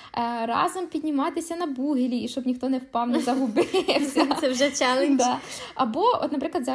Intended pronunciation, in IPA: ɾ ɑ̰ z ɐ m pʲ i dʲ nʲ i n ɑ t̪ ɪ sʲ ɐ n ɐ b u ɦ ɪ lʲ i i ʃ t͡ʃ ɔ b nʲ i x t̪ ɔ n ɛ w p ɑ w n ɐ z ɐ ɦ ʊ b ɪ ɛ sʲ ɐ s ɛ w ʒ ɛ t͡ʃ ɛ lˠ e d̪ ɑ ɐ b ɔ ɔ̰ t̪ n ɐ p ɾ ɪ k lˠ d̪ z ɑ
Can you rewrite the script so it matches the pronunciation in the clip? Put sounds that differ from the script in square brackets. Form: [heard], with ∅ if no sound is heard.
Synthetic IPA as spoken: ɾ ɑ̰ z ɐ m pʲ i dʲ nʲ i [m] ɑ t̪ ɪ sʲ ɐ n ɐ b u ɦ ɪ lʲ i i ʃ t͡ʃ ɔ b nʲ i x t̪ ɔ n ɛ w p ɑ w n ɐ z ɐ ɦ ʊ b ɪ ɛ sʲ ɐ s ɛ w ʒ ɛ t͡ʃ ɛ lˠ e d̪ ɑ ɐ b ɔ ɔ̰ t̪ n ɐ p ɾ ɪ k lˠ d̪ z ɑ